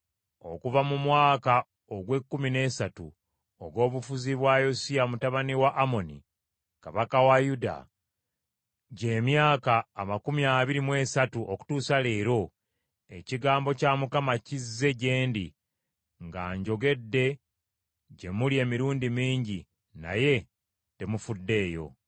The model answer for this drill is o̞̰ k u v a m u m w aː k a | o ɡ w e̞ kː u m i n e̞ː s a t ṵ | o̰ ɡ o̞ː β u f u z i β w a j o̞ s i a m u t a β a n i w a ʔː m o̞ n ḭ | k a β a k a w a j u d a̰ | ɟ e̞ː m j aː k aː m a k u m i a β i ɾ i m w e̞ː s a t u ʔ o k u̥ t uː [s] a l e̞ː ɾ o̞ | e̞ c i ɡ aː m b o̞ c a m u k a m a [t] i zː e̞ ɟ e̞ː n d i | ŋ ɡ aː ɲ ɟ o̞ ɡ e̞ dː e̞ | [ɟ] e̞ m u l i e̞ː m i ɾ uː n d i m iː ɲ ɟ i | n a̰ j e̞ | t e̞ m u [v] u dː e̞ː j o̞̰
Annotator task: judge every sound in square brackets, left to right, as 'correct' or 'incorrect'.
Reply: correct, incorrect: c, correct, incorrect: f

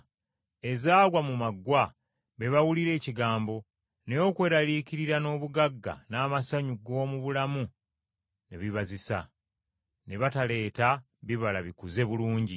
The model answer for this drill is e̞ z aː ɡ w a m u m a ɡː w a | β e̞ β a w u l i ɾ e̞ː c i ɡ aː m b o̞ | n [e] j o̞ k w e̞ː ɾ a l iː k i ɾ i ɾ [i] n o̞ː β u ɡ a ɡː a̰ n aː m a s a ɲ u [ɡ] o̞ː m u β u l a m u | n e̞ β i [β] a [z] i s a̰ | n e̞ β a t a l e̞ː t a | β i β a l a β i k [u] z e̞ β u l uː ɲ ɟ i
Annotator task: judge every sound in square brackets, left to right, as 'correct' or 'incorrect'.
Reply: correct, incorrect: a, correct, correct, correct, correct

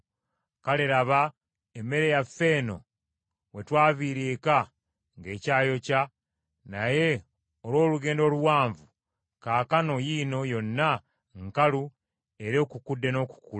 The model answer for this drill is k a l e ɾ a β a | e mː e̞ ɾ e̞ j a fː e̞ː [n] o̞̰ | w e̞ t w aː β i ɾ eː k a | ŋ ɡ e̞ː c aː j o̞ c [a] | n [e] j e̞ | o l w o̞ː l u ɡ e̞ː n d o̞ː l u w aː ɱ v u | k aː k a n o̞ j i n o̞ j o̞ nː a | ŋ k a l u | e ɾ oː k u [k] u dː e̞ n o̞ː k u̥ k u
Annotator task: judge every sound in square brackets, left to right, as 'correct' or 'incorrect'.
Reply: correct, correct, incorrect: a, correct

